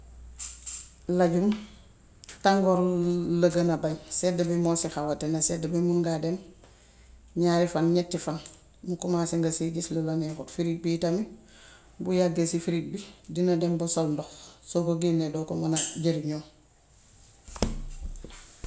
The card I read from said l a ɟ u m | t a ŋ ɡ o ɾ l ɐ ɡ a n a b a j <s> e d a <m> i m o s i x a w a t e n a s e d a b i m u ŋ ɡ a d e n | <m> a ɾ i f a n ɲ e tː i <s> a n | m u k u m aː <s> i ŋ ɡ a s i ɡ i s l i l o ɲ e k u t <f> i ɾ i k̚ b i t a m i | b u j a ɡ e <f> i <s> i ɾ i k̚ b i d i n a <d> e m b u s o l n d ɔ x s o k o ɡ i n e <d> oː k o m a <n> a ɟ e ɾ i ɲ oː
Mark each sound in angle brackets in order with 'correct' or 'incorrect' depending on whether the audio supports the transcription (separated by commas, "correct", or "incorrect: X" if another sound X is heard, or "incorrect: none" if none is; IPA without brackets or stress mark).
correct, incorrect: b, incorrect: ɲ, incorrect: f, correct, correct, incorrect: s, incorrect: f, correct, correct, correct